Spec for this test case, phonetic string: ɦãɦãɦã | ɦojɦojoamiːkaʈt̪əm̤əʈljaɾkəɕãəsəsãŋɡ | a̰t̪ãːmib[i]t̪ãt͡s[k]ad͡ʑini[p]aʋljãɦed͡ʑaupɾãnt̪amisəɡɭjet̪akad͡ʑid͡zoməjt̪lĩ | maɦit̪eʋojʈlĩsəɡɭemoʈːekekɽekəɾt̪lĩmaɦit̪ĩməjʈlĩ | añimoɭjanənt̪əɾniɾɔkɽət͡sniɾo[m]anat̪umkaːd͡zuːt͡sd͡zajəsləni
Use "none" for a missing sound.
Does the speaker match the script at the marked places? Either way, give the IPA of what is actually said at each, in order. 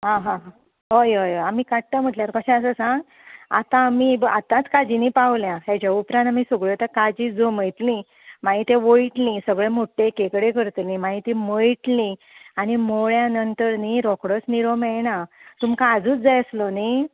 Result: a, k, p, m

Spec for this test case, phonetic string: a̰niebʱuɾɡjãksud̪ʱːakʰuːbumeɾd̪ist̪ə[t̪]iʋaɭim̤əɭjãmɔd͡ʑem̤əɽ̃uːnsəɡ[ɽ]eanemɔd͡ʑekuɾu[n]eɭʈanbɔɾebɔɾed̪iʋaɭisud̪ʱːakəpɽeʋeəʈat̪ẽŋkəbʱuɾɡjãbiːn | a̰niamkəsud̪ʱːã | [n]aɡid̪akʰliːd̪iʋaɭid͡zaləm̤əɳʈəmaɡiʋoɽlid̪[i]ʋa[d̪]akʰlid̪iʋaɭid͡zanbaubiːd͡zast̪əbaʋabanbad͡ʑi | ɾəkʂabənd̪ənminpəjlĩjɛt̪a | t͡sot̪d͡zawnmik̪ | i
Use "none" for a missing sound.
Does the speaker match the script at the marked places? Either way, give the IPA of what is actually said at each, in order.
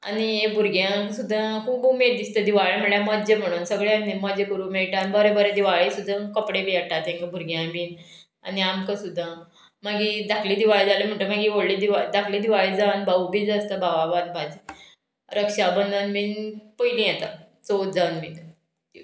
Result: d̪, ɭ, m, m, i, d̪

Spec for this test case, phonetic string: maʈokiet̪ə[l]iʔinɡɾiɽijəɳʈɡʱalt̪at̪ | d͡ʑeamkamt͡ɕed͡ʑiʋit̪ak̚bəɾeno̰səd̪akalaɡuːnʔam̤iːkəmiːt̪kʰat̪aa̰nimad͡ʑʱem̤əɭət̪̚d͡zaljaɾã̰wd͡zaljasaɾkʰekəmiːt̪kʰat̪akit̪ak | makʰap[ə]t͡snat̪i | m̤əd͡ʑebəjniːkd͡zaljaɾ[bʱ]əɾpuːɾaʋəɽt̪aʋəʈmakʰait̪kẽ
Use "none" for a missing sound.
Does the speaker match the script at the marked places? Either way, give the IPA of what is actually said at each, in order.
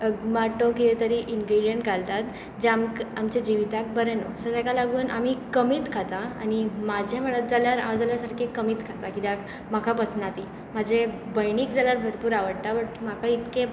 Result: ɾ, ə, bʱ

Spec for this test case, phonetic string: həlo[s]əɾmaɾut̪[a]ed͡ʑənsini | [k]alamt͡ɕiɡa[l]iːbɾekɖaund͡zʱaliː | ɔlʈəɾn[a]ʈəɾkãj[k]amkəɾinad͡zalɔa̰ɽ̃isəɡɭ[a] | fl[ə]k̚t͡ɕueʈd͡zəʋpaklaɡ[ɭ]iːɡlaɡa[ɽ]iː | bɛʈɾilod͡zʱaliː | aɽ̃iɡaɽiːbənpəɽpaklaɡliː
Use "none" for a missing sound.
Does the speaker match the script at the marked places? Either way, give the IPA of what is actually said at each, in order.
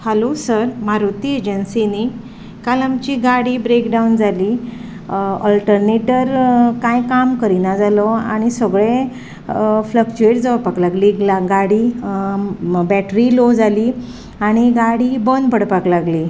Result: s, i, k, ɽ, e, k, e, ə, l, ɽ

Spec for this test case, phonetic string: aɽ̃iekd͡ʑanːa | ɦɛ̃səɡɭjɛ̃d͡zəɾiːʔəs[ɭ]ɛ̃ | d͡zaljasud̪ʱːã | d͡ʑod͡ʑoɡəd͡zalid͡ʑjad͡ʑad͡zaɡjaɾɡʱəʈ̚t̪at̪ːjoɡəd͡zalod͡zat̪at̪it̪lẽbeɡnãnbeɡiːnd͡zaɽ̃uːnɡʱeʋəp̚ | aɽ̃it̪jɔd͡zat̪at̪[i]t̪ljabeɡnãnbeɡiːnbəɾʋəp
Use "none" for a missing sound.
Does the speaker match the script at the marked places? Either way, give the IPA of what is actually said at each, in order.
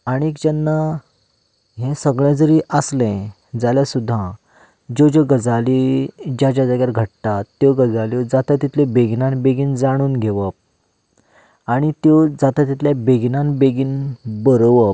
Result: l, i

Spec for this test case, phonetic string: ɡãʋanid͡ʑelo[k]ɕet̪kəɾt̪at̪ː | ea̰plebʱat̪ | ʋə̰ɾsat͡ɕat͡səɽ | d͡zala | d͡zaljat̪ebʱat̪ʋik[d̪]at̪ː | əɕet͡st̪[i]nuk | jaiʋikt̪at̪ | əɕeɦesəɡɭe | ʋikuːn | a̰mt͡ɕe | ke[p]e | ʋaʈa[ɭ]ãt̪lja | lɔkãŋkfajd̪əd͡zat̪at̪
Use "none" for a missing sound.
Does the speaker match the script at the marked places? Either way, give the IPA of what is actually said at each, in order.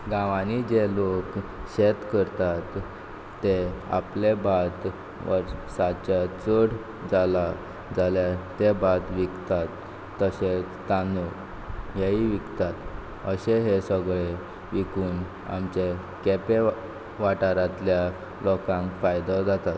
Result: k, t̪, a, p, ɾ

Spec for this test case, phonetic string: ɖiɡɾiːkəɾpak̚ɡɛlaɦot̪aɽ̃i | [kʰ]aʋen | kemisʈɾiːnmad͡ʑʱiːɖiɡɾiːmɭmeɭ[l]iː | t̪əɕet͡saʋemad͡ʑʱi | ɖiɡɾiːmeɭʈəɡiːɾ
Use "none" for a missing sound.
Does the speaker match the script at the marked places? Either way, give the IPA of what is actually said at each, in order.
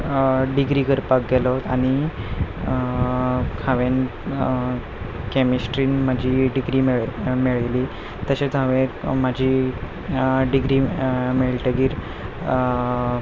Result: kʰ, l

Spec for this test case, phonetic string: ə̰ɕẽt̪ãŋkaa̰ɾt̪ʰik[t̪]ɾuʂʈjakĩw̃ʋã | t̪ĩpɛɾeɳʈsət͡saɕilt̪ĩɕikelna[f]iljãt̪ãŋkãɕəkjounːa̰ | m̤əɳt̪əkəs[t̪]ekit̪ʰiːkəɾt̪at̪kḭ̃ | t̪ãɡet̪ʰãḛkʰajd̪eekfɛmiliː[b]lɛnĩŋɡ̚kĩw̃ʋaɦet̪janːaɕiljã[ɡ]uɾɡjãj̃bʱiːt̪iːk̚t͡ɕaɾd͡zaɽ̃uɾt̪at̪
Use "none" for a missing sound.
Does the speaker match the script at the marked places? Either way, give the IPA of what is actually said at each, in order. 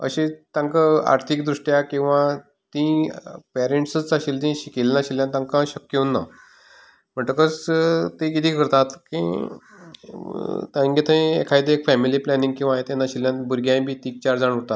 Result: d̪, ɕ, t̪, p, b

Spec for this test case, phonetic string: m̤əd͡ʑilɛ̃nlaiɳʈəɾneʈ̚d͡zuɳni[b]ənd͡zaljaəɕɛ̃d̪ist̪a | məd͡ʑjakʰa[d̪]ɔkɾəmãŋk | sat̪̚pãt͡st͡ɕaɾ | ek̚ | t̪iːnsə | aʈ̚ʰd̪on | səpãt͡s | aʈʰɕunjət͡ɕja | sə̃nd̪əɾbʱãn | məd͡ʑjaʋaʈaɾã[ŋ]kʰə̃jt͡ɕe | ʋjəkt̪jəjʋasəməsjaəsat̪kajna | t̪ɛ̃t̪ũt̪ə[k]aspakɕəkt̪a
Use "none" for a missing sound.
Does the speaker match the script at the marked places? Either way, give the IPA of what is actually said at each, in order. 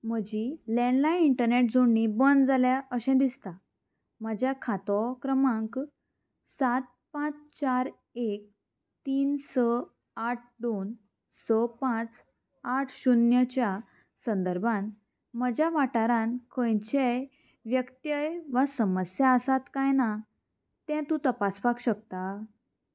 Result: b, t̪, n, p

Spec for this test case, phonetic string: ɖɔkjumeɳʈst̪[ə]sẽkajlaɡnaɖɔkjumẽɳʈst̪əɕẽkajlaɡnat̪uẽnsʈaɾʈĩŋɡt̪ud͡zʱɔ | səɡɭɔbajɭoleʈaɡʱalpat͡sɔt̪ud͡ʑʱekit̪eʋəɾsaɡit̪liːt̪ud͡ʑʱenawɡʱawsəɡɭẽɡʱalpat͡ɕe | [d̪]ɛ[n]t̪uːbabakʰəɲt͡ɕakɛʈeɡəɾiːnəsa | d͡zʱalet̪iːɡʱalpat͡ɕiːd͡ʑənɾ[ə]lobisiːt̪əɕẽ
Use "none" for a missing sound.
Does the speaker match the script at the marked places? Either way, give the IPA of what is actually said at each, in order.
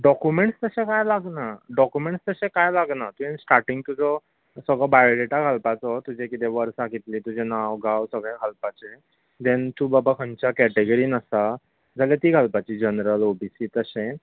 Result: ə, d̪, n, ə

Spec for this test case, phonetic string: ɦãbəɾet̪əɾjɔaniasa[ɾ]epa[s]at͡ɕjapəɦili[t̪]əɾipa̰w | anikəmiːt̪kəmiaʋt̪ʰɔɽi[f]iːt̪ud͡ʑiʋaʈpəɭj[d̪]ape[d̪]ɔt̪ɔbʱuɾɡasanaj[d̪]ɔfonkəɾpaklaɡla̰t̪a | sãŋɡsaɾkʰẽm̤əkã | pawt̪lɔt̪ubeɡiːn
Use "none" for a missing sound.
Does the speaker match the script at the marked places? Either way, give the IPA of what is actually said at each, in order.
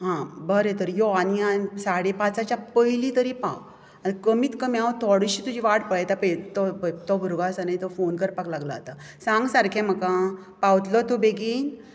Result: ɽ, t͡s, t̪, ɕ, t̪, t̪, t̪

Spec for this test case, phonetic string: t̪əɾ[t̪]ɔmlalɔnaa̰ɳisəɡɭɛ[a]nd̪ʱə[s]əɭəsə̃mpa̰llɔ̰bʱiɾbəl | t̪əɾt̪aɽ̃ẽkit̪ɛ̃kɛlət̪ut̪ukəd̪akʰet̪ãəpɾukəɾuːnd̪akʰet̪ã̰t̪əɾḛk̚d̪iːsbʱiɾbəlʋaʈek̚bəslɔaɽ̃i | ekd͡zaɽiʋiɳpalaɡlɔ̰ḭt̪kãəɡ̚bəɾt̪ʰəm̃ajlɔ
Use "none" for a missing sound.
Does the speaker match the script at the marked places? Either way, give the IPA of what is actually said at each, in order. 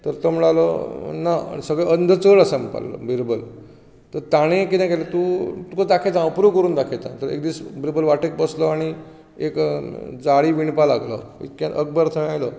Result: t̪, ə, t͡s

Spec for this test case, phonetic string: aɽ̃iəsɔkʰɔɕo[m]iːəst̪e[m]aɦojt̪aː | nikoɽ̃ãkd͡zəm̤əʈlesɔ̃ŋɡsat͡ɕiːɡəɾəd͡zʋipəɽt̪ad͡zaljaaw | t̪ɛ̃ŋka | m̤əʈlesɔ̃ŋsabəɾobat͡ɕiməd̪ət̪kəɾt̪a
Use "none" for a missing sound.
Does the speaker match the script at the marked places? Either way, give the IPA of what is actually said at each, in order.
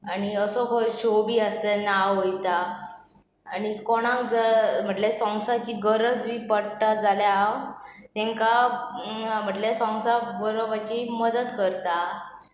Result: b, n

